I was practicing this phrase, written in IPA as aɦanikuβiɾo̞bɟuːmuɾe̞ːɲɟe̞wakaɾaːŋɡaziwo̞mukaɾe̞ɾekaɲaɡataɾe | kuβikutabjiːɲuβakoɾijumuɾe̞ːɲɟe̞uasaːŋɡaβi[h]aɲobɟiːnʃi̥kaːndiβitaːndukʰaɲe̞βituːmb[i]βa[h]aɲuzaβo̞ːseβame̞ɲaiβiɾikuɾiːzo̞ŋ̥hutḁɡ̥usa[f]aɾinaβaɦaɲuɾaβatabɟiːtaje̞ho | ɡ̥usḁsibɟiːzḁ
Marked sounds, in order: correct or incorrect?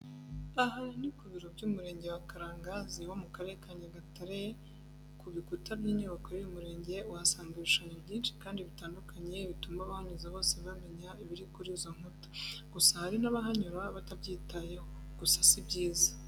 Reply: incorrect: ʃ, incorrect: a, correct, incorrect: h

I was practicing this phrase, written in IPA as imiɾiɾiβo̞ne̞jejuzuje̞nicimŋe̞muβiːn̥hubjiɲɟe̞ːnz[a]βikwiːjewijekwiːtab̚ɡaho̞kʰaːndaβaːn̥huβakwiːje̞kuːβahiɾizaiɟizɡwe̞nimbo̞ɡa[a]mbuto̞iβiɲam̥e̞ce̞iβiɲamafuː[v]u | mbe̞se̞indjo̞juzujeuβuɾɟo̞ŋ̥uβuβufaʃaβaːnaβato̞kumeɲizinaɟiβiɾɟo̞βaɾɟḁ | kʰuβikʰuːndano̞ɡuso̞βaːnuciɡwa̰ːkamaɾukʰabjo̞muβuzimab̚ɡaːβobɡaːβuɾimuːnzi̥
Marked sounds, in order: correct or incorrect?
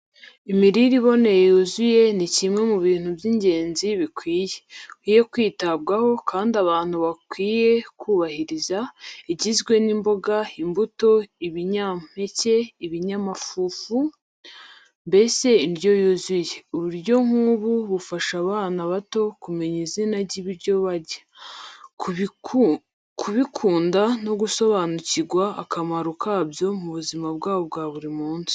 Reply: incorrect: i, incorrect: i, incorrect: f

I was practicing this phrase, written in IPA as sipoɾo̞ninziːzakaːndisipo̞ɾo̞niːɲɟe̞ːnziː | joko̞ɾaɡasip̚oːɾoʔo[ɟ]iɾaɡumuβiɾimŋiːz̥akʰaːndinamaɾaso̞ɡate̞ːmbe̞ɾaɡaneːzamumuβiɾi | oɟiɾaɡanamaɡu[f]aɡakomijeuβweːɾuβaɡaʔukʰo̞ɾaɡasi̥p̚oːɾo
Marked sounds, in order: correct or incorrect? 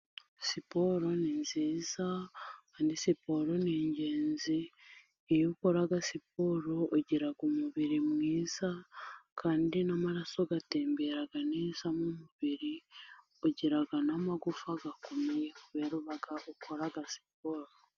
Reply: correct, correct

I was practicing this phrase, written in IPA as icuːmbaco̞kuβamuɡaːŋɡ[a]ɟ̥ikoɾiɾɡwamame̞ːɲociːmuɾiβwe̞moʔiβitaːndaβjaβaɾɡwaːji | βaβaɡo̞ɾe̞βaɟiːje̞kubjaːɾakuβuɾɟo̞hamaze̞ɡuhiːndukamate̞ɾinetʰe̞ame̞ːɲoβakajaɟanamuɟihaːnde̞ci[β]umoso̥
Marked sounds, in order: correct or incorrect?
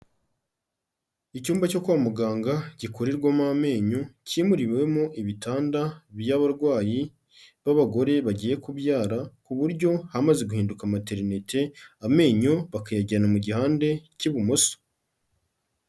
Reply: correct, correct

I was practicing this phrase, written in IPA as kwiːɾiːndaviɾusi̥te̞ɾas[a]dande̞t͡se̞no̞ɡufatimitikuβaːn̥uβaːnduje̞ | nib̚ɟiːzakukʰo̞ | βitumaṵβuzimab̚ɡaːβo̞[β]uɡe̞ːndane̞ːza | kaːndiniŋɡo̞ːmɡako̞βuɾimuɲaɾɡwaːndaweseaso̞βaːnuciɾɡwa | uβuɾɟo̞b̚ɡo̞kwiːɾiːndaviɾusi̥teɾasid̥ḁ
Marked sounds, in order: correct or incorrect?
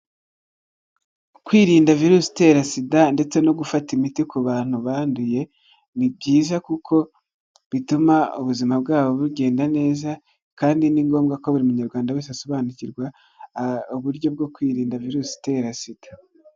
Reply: incorrect: i, correct

